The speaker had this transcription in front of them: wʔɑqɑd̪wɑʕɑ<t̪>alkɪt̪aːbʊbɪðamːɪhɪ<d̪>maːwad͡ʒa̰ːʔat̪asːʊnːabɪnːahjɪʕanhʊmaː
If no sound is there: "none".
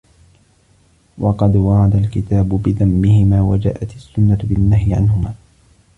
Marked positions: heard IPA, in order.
d̪, none

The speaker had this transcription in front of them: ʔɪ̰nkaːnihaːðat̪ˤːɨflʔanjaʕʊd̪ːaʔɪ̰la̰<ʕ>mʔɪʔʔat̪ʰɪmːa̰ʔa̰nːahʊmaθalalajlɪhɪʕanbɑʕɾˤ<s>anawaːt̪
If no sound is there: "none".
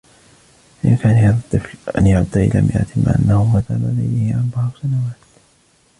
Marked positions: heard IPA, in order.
none, s

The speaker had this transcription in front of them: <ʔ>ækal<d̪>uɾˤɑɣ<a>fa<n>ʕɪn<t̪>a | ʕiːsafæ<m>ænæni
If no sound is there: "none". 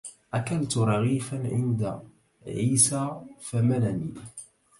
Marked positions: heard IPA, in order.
ʔ, t̪, i, n, d̪, m

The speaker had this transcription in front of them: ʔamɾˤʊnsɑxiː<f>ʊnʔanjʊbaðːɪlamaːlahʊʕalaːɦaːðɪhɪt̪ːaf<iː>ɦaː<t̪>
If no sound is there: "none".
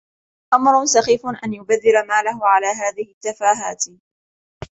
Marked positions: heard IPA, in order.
f, aː, t̪

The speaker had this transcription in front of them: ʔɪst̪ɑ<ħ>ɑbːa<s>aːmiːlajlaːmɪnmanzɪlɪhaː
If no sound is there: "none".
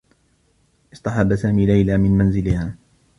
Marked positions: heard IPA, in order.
ħ, s

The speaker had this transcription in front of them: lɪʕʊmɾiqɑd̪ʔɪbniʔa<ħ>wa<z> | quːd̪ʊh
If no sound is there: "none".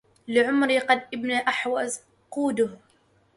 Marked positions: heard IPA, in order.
ħ, z

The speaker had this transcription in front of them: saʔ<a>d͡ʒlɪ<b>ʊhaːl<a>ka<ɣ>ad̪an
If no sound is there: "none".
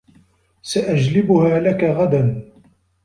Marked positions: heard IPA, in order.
a, b, a, ɣ

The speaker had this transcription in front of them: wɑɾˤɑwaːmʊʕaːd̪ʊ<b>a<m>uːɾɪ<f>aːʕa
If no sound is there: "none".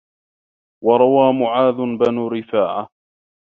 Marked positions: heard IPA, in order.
b, n, f

